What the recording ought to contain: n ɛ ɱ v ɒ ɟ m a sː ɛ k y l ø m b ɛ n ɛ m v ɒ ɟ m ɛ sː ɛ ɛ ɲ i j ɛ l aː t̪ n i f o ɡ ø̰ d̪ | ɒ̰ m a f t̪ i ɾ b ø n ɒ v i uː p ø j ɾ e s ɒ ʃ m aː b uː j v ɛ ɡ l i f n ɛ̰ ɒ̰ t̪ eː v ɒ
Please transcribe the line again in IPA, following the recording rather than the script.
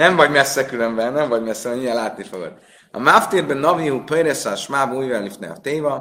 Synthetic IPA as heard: n ɛ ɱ v ɒ ɟ m ɛ sː ɛ k y l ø m b ɛ n ɛ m v ɒ ɟ m ɛ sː ɛ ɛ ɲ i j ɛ l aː t̪ n i f o ɡ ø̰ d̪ | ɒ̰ m a f t̪ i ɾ b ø n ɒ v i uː p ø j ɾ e s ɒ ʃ m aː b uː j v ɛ l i f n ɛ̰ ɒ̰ t̪ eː v ɒ